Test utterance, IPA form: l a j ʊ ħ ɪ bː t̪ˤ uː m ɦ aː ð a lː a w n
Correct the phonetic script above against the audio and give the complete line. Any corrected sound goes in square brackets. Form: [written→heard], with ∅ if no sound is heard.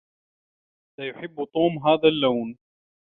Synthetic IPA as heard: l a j ʊ ħ ɪ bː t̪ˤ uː m ɦ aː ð a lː a w n